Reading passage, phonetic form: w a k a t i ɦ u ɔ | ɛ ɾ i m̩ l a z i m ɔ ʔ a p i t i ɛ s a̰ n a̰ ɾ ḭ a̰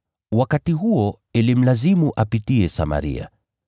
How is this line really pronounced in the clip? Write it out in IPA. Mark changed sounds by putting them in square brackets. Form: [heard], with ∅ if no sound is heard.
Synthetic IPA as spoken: w a k a t i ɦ u ɔ | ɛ [l] i m̩ l a z i m [u] ʔ a p i t i ɛ s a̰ [m] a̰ ɾ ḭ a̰